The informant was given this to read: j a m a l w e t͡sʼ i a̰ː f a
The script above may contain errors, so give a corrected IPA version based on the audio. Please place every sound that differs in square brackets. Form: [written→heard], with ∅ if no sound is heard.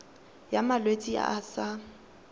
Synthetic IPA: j a m a l w e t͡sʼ i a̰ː [f→s] a